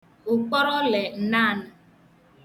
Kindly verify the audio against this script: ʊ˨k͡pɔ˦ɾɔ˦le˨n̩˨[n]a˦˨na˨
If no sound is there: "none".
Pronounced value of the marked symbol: n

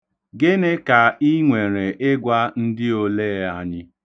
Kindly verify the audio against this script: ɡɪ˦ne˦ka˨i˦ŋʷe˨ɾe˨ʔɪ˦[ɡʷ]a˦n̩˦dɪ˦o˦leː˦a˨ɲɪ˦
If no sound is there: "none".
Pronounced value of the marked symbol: ɡʷ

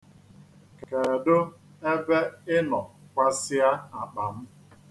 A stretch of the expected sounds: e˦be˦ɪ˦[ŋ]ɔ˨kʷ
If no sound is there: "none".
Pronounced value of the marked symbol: n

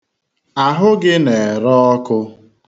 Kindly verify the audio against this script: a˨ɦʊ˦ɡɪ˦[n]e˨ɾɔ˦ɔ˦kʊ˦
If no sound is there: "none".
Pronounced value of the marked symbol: n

